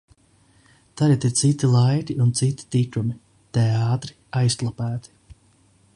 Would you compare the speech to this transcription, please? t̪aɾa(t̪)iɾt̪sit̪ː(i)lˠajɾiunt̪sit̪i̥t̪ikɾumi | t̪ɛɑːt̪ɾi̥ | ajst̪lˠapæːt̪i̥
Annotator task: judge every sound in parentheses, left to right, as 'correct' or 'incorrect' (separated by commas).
correct, correct